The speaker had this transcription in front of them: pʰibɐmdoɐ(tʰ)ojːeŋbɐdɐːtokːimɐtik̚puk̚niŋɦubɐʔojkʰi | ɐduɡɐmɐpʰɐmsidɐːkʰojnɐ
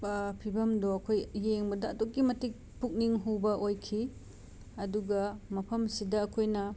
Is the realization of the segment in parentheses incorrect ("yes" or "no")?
yes